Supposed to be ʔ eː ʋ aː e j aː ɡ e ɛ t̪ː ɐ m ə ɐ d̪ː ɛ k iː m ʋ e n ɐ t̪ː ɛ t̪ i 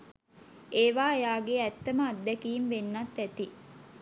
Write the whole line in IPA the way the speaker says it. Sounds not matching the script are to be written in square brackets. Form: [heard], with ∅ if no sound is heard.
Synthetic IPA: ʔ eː ʋ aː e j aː ɡ e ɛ t̪ː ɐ m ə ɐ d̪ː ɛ k iː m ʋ e [nː] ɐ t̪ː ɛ t̪ i